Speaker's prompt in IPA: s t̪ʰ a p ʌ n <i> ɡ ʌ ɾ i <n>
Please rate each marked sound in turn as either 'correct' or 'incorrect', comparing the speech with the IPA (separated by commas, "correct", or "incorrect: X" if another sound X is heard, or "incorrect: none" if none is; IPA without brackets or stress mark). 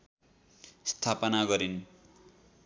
incorrect: a, correct